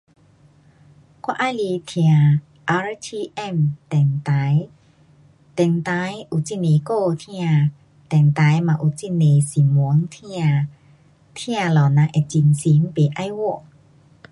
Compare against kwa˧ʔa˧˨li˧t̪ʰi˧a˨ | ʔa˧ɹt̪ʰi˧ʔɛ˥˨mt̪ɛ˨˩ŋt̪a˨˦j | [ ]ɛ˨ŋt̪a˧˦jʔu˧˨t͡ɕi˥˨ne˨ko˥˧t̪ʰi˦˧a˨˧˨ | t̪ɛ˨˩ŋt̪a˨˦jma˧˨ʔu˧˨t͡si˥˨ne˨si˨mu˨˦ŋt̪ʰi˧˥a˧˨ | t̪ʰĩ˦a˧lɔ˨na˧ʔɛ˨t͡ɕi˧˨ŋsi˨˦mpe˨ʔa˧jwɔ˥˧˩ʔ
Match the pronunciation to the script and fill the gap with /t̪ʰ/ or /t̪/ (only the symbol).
t̪